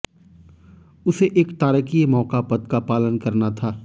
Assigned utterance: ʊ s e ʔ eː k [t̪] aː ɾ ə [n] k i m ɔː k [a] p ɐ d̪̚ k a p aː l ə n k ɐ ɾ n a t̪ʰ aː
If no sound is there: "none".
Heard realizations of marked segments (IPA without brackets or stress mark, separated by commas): t̪, none, a